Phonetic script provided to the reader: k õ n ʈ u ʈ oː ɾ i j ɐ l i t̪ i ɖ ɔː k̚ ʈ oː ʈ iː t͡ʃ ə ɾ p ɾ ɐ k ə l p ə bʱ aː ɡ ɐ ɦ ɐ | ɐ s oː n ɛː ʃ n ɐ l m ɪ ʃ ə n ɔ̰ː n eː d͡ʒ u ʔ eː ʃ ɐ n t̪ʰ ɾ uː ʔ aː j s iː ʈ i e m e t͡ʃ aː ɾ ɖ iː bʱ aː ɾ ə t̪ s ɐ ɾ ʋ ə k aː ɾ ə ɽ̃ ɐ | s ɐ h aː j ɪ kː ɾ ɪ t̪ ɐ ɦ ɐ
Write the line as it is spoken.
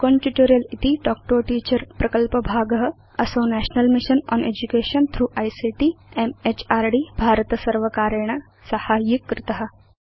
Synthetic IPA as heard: k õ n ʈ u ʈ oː ɾ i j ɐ l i t̪ i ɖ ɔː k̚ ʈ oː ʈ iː t͡ʃ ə ɾ p ɾ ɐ k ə l p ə bʱ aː ɡ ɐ ɦ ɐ | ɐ s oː n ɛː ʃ n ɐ l m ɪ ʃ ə n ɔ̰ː n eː d͡ʒ u k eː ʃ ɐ n t̪ʰ ɾ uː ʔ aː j s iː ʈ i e m e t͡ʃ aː ɾ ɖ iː bʱ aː ɾ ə t̪ s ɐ ɾ ʋ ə k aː ɾ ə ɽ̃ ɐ | s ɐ h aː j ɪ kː ɾ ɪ t̪ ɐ ɦ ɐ